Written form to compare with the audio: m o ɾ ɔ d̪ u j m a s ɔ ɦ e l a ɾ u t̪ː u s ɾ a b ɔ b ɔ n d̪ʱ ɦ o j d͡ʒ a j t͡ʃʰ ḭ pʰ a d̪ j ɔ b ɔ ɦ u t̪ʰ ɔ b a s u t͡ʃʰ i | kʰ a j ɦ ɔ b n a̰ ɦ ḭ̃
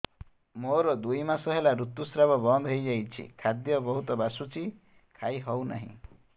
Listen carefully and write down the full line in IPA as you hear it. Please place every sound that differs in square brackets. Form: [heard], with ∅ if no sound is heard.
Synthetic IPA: m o ɾ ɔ d̪ u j m a s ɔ ɦ e l a ɾ u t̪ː u s ɾ a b ɔ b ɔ n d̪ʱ ɦ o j d͡ʒ a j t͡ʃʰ ḭ [kʰ] a d̪ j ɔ b ɔ ɦ u [t̪] ɔ b a s u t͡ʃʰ i | kʰ a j ɦ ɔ [w] n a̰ ɦ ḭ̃

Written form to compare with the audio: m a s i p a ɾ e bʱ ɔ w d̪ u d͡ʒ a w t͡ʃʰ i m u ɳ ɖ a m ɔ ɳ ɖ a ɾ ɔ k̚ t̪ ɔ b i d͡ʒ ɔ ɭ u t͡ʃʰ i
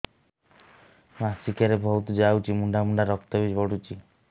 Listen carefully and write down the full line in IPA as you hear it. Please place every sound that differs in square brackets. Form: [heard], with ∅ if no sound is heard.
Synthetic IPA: m a s i [k] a ɾ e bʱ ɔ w [t̪] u d͡ʒ a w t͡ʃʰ i m u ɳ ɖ a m [u] ɳ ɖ a ɾ ɔ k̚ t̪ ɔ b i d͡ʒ ɔ [ɽ] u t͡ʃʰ i

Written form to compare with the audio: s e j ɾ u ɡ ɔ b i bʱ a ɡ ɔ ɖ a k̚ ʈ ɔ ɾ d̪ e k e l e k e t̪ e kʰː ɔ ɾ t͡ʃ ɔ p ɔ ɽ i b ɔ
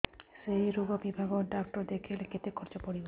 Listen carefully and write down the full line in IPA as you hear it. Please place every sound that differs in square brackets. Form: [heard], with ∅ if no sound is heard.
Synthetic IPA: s e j ɾ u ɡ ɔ b i bʱ a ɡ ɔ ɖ a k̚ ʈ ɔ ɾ d̪ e [kʰ] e l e k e t̪ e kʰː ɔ ɾ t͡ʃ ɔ p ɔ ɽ i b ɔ

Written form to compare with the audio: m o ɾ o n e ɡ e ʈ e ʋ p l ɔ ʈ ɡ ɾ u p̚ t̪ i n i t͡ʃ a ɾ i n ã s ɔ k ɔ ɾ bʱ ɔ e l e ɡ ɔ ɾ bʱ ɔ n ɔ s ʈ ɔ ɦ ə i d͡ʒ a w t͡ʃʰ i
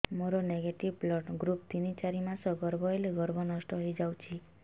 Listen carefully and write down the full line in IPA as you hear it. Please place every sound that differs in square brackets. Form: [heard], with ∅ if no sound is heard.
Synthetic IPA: m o ɾ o n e ɡ e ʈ [i] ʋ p l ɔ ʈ ɡ ɾ u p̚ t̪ i n i t͡ʃ a ɾ i [m] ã s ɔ [ɡ] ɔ ɾ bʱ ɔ e l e ɡ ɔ ɾ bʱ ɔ n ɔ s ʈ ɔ ɦ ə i d͡ʒ a w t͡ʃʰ i

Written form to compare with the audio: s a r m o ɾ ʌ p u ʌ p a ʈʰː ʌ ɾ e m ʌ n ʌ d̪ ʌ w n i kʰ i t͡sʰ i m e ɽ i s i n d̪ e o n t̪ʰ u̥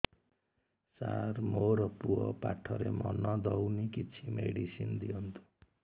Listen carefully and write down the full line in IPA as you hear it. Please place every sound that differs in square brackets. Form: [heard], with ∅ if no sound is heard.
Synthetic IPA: s a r m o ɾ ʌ p u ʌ p a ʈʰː ʌ ɾ e m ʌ n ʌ d̪ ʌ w n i [k] i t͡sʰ i m e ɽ i s i n d̪ [i] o n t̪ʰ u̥

